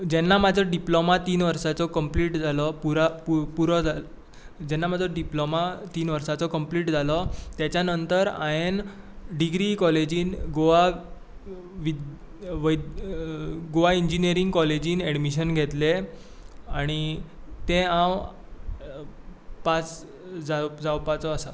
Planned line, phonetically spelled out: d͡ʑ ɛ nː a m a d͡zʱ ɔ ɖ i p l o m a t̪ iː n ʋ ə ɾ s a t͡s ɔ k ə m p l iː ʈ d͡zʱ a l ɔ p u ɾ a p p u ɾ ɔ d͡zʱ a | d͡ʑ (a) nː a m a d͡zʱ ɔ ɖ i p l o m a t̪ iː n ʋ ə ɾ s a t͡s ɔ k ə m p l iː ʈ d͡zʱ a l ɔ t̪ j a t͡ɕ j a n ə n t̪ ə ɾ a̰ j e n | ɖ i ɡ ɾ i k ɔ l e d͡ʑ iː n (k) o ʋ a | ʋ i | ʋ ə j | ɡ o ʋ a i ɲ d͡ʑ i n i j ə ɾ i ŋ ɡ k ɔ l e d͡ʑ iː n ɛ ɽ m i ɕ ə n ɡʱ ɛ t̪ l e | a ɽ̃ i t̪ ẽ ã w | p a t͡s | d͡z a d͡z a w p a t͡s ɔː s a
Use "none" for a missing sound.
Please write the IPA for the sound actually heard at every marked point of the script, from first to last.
ɛ, ɡ

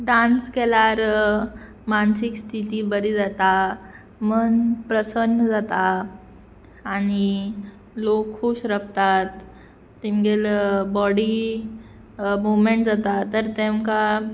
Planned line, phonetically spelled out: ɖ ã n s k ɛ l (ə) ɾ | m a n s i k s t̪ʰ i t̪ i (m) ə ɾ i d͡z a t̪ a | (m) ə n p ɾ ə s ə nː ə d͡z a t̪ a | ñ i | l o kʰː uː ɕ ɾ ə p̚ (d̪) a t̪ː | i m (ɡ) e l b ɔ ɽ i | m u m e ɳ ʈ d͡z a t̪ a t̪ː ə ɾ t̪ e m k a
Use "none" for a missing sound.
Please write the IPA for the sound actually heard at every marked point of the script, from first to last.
a, b, m, t̪, ɡ

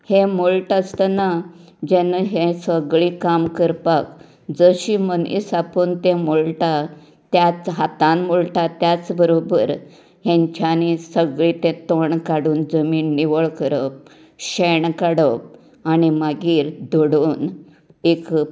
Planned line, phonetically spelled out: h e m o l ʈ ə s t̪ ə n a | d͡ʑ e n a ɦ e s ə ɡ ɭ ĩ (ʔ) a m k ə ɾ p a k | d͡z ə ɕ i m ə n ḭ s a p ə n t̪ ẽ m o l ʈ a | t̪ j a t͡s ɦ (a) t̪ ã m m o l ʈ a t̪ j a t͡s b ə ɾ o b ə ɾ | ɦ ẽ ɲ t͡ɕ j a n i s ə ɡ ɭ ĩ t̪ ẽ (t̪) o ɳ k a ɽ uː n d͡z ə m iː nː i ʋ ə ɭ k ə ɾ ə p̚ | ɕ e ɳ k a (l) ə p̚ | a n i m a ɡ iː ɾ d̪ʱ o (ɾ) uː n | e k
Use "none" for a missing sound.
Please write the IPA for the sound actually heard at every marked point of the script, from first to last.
k, a, t̪, ɽ, ɽ

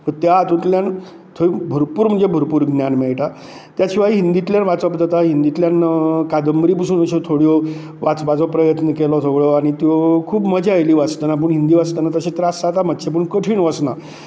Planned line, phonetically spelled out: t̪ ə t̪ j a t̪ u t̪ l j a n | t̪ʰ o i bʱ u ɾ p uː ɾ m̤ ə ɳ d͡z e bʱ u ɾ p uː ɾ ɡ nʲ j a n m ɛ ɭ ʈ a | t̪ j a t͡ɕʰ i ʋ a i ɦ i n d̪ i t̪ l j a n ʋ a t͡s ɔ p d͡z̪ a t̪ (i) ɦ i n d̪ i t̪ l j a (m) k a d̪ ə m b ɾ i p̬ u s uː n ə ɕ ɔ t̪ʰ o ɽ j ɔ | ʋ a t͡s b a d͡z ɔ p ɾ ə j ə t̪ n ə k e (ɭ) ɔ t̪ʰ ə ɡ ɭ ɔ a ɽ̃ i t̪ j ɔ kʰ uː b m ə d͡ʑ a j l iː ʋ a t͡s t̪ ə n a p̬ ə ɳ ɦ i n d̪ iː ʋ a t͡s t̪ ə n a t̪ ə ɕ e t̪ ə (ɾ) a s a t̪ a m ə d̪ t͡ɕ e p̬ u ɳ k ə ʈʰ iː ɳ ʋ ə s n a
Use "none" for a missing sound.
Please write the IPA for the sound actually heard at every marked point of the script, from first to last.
a, n, l, ɾ

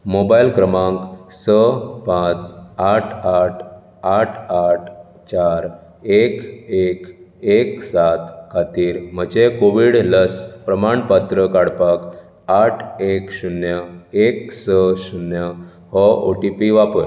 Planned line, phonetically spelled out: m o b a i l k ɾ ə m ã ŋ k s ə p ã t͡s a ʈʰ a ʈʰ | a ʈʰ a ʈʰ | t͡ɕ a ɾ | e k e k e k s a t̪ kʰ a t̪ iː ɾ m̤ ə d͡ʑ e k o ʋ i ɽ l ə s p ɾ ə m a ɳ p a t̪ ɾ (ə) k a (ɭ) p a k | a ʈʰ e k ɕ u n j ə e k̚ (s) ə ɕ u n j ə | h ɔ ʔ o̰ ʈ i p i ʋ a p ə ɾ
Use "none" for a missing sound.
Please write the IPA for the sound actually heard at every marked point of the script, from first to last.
ə, ɽ, s

